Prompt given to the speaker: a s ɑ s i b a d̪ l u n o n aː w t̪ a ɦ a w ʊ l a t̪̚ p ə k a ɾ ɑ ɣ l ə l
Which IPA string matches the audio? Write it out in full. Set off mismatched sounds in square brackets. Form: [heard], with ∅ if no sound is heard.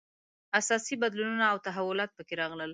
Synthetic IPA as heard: a s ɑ s i b a d̪ l u n [u] n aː w t̪ a ɦ a w ʊ l [ɑ] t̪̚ p ə k [e] ɾ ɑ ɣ l ə l